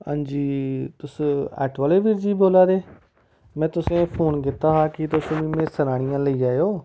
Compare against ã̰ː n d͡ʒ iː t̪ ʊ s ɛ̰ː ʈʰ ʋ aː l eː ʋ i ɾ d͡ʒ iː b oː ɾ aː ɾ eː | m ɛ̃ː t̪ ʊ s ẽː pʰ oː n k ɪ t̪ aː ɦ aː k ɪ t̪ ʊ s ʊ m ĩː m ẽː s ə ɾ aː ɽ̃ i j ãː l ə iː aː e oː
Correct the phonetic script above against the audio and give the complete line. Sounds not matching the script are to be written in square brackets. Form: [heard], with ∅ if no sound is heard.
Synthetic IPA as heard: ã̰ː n d͡ʒ iː t̪ ʊ s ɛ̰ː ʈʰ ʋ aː l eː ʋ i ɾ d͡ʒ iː b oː [l] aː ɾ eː | m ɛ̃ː t̪ ʊ s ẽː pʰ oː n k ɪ t̪ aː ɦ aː k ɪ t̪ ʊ s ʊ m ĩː m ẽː s ə ɾ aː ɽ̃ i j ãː l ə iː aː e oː

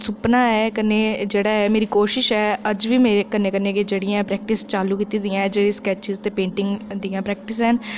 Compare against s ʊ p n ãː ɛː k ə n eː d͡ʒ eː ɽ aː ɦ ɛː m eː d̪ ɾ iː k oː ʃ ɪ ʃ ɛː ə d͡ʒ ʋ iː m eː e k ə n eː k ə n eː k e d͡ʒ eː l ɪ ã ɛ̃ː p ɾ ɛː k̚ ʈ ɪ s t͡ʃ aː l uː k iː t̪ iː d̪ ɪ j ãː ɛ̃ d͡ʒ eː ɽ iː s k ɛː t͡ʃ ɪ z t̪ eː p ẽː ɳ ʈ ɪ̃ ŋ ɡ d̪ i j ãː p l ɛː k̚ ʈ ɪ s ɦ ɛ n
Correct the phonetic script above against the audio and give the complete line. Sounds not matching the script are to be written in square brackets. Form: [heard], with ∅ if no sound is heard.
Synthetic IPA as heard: s ʊ p n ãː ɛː k ə n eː d͡ʒ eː ɽ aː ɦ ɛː m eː [∅] ɾ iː k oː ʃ ɪ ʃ ɛː ə d͡ʒ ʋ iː m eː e k ə n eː k ə n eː k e d͡ʒ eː [ɽ] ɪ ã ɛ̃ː p ɾ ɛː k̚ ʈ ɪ s t͡ʃ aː l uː k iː t̪ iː d̪ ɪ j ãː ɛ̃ d͡ʒ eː ɽ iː s k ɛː t͡ʃ ɪ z t̪ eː p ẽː ɳ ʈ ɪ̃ ŋ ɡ d̪ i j ãː p [ɾ] ɛː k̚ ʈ ɪ s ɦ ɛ n

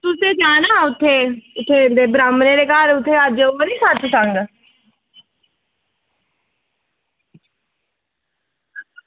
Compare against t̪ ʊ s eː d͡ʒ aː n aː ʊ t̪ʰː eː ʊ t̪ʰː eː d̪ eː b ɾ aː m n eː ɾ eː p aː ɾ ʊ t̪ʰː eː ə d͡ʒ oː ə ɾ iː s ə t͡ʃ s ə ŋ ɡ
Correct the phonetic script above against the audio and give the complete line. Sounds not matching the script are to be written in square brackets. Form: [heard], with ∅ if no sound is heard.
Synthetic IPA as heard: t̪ ʊ s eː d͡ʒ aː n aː ʊ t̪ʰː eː ʊ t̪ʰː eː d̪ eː b ɾ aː m n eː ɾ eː [k] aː ɾ ʊ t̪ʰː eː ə d͡ʒ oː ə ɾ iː s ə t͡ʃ s ə ŋ ɡ

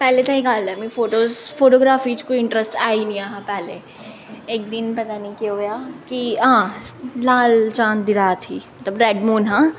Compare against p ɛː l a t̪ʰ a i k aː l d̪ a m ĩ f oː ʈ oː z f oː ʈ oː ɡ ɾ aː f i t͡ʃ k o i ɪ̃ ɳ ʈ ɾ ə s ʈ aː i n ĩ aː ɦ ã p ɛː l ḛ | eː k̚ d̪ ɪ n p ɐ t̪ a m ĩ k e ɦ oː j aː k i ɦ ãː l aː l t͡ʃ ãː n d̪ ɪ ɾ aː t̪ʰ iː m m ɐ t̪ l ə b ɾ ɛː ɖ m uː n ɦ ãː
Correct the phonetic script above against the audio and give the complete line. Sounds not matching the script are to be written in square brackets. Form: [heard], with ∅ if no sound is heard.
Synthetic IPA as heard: p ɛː l [e] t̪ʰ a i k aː l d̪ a m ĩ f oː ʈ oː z f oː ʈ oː ɡ ɾ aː f i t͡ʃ k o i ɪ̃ ɳ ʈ ɾ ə s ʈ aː i n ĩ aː ɦ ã p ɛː l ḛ | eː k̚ d̪ ɪ n p ɐ t̪ a [n] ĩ k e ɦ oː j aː k i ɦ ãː l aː l t͡ʃ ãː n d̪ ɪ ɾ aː t̪ʰ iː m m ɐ t̪ l ə b ɾ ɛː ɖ m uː n ɦ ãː

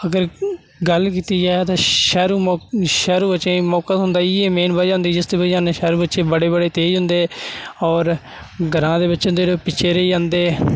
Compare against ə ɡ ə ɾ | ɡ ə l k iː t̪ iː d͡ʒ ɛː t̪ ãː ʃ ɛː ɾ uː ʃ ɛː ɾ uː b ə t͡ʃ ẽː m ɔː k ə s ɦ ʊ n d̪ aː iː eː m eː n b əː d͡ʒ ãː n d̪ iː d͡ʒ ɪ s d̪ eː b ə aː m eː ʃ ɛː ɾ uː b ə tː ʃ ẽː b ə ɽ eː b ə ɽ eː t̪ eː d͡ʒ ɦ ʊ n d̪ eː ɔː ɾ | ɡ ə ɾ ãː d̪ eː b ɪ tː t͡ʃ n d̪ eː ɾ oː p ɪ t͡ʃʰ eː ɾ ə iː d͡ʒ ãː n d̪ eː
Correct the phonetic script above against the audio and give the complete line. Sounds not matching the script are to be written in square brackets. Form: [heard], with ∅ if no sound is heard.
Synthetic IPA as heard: ə ɡ ə ɾ | ɡ ə l k iː t̪ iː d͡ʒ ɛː t̪ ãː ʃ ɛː ɾ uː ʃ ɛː ɾ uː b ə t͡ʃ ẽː m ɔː k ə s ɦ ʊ n d̪ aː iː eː m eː n b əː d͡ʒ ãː n d̪ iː d͡ʒ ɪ s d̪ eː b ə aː [n] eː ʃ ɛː ɾ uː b ə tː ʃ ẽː b ə ɽ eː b ə ɽ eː t̪ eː d͡ʒ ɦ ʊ n d̪ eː ɔː ɾ | ɡ ə ɾ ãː d̪ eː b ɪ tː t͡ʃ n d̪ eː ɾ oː p ɪ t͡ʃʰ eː ɾ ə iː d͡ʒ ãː n d̪ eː

